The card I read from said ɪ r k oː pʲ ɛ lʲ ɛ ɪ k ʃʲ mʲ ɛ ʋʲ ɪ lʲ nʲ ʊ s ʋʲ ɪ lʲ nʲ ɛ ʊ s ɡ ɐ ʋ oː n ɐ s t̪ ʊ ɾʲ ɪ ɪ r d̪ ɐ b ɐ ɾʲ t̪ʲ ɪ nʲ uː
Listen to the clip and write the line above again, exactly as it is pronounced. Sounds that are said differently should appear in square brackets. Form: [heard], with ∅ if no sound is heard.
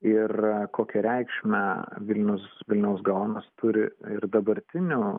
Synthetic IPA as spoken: ɪ r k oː [kʲ] ɛ [ɾʲ] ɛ ɪ k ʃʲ mʲ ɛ ʋʲ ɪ lʲ nʲ ʊ s ʋʲ ɪ lʲ nʲ ɛ ʊ s ɡ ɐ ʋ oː n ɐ s t̪ ʊ ɾʲ ɪ ɪ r d̪ ɐ b ɐ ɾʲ t̪ʲ ɪ nʲ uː